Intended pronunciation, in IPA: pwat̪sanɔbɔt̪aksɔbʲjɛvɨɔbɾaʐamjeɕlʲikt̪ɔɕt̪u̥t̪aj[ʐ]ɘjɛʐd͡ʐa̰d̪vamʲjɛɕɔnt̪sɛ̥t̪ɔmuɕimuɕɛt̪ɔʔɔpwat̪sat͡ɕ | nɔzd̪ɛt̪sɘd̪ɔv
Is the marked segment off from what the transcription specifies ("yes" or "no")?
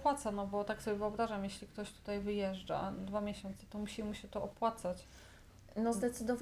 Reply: yes